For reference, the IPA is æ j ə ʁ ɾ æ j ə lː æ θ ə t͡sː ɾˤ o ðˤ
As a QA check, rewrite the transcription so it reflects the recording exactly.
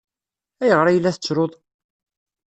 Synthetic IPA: æ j ə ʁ ɾ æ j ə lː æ θ ə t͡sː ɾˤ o ðˤ